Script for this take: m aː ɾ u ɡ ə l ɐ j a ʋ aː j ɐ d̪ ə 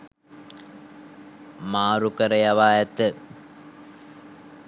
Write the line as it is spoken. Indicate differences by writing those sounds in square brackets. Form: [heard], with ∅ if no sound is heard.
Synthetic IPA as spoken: m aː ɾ u [k] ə [ɾ] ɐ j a ʋ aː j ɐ [t̪] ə